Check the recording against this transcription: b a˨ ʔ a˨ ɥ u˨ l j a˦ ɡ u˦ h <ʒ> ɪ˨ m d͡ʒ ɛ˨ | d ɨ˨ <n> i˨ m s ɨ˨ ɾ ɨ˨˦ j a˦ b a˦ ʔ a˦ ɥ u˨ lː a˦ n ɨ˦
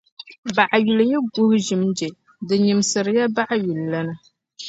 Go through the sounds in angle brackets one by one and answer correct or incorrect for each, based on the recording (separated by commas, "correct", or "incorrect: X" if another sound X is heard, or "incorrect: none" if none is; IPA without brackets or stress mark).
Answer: correct, incorrect: ɲ